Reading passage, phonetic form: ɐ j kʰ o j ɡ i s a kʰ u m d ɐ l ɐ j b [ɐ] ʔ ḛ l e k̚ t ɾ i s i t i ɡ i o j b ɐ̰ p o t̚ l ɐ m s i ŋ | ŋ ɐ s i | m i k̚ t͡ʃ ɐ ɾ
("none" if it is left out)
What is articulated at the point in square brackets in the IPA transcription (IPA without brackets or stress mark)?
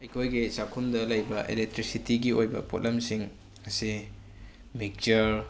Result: ɐ